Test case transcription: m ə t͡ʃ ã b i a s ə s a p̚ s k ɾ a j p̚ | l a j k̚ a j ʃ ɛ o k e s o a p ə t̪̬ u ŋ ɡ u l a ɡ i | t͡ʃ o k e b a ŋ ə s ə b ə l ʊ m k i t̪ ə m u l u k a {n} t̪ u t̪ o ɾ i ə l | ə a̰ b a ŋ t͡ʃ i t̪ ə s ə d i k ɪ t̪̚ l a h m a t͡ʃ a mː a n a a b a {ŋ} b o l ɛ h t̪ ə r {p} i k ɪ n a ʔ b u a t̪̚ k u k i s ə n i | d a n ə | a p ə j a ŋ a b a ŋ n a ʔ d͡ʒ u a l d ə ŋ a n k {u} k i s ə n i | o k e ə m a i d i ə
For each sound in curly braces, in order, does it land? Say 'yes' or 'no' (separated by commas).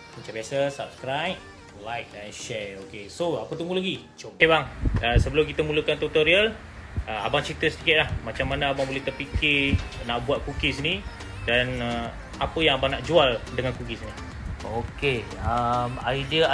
yes, yes, yes, yes